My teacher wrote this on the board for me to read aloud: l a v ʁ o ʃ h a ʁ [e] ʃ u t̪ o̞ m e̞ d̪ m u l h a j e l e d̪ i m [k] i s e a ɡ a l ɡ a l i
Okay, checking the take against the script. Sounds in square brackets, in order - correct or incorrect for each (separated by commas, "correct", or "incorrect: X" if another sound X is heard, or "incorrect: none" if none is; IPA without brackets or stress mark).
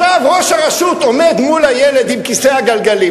incorrect: a, correct